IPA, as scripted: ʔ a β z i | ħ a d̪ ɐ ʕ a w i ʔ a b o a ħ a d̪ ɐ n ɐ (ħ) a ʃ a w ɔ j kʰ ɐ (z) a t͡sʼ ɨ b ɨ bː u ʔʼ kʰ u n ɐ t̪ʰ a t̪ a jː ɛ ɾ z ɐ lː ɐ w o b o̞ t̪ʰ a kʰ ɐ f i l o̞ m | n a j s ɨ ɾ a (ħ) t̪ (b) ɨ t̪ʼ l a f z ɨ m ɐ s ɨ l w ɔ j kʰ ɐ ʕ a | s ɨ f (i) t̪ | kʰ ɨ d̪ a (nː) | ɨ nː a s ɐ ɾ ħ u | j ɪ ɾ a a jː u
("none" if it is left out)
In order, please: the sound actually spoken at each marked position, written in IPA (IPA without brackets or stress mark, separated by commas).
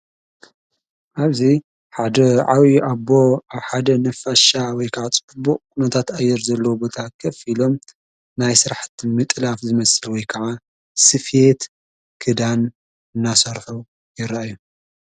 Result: f, ʕ, ħ, m, e, n